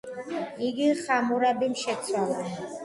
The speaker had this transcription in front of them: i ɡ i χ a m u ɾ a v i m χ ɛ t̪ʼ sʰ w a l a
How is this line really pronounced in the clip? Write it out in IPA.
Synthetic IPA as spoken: i ɡ i χ a m u ɾ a b i m ʃ ɛ t̪ sʰ w a l a

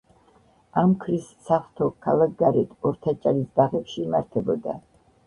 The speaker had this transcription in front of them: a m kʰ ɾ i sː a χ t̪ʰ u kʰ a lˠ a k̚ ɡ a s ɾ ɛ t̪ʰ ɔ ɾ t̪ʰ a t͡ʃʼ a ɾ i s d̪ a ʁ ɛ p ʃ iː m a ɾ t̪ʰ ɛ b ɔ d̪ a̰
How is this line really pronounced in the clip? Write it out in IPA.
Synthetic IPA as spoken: a m kʰ ɾ i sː a χ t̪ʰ ɔ kʰ a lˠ a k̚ ɡ a ɾ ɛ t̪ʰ ɔ ɾ t̪ʰ a t͡ʃʼ a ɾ i s d̪ a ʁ ɛ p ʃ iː m a ɾ t̪ʰ ɛ b ɔ d̪ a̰

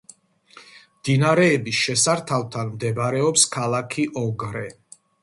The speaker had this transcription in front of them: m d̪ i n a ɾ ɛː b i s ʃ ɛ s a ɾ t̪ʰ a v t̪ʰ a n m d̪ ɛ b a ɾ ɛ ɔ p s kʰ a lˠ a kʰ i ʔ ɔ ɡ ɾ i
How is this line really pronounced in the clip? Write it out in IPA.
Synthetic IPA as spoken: m d̪ i n a ɾ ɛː b i s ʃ ɛ s a ɾ t̪ʰ a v t̪ʰ a n m d̪ ɛ b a ɾ ɛ ɔ p s kʰ a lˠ a kʰ i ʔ ɔ ɡ ɾ ɛ

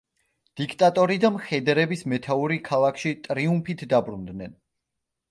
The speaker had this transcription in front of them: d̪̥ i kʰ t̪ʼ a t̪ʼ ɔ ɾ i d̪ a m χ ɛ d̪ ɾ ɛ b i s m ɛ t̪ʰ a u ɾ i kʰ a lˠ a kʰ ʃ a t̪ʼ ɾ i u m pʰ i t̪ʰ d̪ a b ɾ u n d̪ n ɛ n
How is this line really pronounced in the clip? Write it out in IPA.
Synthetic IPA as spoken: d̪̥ i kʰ t̪ʼ a t̪ʼ ɔ ɾ i d̪ a m χ ɛ d̪ ɾ ɛ b i s m ɛ t̪ʰ a u ɾ i kʰ a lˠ a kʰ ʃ i t̪ʼ ɾ i u m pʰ i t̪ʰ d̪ a b ɾ u n d̪ n ɛ n

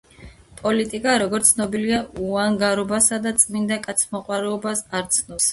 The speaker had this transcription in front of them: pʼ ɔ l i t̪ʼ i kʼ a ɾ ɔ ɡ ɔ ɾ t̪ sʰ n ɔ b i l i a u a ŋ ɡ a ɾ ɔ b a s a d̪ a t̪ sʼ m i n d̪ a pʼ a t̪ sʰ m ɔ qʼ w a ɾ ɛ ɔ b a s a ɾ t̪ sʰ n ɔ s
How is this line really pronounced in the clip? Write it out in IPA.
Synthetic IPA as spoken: pʼ ɔ l i t̪ʼ i kʼ a ɾ ɔ ɡ ɔ ɾ t̪ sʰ n ɔ b i l i a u a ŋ ɡ a ɾ ɔ b a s a d̪ a t̪ sʼ m i n d̪ a kʼ a t̪ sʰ m ɔ qʼ w a ɾ ɛ ɔ b a s a ɾ t̪ sʰ n ɔ s

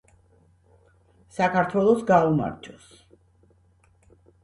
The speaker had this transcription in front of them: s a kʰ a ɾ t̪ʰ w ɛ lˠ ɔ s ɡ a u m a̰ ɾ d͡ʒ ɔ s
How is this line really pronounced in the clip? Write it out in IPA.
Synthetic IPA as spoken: s a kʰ a ɾ t̪ʰ w ɛ lˠ ɔ s ɡ a u m a̰ ɾ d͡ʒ ɔ s

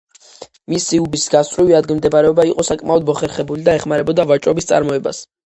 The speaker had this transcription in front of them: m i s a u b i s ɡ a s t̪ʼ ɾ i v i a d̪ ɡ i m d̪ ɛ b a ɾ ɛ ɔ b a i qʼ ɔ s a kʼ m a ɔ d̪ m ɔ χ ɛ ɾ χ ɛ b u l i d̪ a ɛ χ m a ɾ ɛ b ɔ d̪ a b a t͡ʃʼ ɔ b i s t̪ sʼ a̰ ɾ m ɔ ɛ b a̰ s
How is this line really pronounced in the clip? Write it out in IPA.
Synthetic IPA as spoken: m i s i u b i s ɡ a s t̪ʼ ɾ i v i a d̪ ɡ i m d̪ ɛ b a ɾ ɛ ɔ b a i qʼ ɔ s a kʼ m a ɔ d̪ m ɔ χ ɛ ɾ χ ɛ b u l i d̪ a ɛ χ m a ɾ ɛ b ɔ d̪ a v a t͡ʃʼ ɔ b i s t̪ sʼ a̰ ɾ m ɔ ɛ b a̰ s

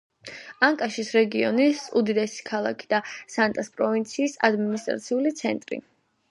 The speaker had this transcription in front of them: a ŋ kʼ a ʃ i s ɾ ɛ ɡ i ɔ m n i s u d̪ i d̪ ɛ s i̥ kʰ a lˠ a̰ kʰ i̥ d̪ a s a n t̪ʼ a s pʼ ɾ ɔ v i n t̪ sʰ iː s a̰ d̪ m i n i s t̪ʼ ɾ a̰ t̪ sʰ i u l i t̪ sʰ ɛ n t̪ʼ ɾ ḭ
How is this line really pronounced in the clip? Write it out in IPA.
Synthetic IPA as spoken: a ŋ kʼ a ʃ i s ɾ ɛ ɡ i ɔ n i s u d̪ i d̪ ɛ s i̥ kʰ a lˠ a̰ kʰ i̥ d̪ a s a n t̪ʼ a s pʼ ɾ ɔ v i n t̪ sʰ iː s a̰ d̪ m i n i s t̪ʼ ɾ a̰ t̪ sʰ i u l i t̪ sʰ ɛ n t̪ʼ ɾ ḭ

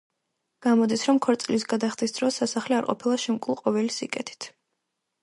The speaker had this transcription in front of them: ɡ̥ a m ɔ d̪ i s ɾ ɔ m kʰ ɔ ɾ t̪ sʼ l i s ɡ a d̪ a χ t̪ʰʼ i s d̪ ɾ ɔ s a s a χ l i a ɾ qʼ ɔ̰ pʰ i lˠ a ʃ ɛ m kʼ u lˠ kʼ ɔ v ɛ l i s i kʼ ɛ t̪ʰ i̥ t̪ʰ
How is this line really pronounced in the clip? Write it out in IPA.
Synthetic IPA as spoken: ɡ̥ a m ɔ d̪ i s ɾ ɔ m kʰ ɔ ɾ t̪ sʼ l i s ɡ a d̪ a χ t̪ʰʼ i s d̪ ɾ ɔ s a s a χ l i a ɾ qʼ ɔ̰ pʰ i lˠ a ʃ ɛ m kʼ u lˠ qʼ ɔ v ɛ l i s i kʼ ɛ t̪ʰ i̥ t̪ʰ

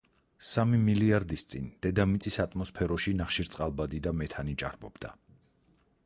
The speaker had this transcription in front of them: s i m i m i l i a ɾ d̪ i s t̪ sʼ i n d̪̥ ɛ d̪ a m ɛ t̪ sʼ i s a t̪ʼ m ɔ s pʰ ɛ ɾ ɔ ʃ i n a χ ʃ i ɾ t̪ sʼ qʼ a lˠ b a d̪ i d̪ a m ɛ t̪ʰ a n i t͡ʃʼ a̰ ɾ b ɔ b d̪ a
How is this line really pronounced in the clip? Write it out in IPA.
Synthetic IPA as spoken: s a m i m i l i a ɾ d̪ i s t̪ sʼ i n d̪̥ ɛ d̪ a m i t̪ sʼ i s a t̪ʼ m ɔ s pʰ ɛ ɾ ɔ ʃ i n a χ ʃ i ɾ t̪ sʼ qʼ a lˠ b a d̪ i d̪ a m ɛ t̪ʰ a n i t͡ʃʼ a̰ ɾ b ɔ b d̪ a

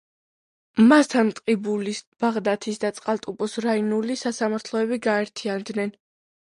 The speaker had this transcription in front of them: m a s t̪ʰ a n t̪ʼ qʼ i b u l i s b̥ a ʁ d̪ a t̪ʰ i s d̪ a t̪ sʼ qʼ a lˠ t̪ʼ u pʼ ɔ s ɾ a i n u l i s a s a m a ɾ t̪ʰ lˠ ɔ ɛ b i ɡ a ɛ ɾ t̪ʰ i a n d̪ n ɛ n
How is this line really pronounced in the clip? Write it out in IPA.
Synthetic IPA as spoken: m a s t̪ʰ a n t̪ʼ qʼ i b u l i s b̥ a ʁ d̪ a t̪ʰ i s d̪ a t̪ sʼ qʼ a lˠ t̪ʼ u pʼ ɔ s ɾ a i n u l i s a s a m a ɾ t̪ʰ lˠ ɔ ɛ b i ɡ a ɛ ɾ t̪ʰ i a n d̪ n ɛ n

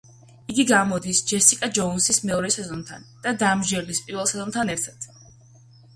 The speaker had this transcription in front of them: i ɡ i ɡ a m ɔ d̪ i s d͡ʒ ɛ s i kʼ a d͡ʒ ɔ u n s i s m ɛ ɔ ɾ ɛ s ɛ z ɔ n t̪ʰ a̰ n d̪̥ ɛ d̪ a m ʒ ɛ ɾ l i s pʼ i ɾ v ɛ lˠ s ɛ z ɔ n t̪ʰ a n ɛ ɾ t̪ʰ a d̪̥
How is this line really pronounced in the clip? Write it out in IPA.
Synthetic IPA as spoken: i ɡ i ɡ a m ɔ d̪ i s d͡ʒ ɛ s i kʼ a d͡ʒ ɔ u n s i s m ɛ ɔ ɾ ɛ s ɛ z ɔ n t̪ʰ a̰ n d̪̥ a d̪ a m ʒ ɛ ɾ l i s pʼ i ɾ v ɛ lˠ s ɛ z ɔ n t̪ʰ a n ɛ ɾ t̪ʰ a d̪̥

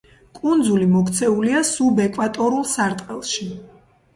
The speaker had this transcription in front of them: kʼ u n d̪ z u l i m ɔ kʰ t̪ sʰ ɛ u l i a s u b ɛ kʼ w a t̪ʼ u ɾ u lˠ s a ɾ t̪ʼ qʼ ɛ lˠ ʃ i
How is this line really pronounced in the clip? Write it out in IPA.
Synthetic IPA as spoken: kʼ u n d̪ z u l i m ɔ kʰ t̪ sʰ ɛ u l i a s u b ɛ kʼ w a t̪ʼ ɔ ɾ u lˠ s a ɾ t̪ʼ qʼ ɛ lˠ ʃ i

